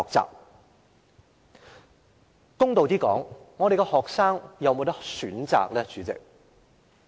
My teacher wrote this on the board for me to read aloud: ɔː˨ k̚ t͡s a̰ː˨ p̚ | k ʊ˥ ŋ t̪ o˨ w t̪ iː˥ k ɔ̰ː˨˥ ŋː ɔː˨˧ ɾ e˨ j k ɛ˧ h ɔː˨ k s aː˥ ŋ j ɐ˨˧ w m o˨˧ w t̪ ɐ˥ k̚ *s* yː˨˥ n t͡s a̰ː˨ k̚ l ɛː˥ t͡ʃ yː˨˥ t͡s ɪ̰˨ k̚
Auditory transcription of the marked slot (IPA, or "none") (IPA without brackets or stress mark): s